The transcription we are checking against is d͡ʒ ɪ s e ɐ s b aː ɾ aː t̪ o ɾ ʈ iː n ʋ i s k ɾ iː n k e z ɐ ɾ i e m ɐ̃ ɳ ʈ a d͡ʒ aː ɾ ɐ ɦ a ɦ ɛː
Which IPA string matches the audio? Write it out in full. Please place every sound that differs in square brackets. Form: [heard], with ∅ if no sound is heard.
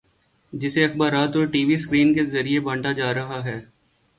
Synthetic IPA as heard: d͡ʒ ɪ s e ɐ [x] b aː ɾ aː t̪ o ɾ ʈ iː [∅] ʋ i s k ɾ iː n k e z ɐ ɾ i e [b] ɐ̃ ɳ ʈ a d͡ʒ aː ɾ ɐ ɦ a ɦ ɛː